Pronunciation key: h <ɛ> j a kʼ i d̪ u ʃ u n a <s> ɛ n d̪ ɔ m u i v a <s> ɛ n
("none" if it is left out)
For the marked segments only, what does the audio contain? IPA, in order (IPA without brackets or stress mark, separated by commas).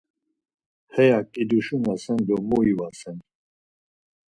ɛ, s, s